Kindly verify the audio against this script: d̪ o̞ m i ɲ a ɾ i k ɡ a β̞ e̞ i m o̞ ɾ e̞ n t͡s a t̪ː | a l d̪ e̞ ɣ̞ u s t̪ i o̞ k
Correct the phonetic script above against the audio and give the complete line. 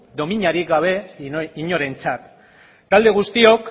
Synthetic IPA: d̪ o̞ m i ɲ a ɾ i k ɡ a β̞ e̞ i ɲ o̞ ɾ e̞ n t͡s a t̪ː | a l d̪ e̞ ɣ̞ u s t̪ i o̞ k